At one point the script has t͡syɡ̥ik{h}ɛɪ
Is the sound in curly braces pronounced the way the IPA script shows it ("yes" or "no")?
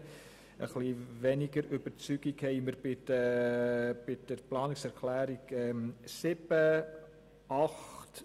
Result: yes